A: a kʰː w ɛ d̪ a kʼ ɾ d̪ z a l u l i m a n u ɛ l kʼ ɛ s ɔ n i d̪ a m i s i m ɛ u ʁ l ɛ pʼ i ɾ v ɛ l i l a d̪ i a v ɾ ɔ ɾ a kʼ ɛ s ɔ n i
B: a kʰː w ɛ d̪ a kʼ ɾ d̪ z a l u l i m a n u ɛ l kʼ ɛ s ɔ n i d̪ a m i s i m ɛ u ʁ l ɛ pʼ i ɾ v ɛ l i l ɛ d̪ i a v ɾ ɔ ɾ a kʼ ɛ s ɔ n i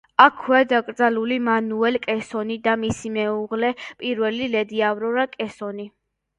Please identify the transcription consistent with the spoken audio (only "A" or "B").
B